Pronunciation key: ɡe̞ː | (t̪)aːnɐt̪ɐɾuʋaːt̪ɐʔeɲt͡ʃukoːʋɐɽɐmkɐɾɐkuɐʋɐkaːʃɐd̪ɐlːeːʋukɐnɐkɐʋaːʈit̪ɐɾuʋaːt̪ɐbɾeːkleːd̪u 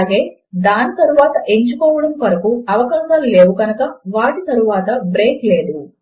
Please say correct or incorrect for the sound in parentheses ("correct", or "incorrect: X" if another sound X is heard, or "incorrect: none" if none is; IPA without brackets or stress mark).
incorrect: d̪